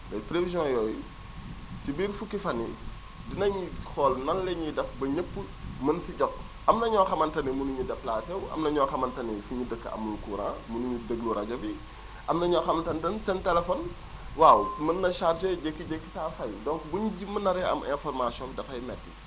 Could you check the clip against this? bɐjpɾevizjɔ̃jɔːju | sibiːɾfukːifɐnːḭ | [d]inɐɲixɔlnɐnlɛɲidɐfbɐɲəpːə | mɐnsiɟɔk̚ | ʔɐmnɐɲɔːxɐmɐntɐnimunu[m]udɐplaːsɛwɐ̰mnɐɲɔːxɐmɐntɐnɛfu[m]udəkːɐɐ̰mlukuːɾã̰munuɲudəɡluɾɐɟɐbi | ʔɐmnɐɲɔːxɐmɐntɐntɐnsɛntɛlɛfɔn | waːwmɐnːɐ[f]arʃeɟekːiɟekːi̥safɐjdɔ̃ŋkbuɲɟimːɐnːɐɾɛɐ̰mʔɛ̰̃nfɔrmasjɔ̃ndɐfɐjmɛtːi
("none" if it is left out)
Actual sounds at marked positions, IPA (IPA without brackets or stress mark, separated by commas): d, ɲ, ɲ, ʃ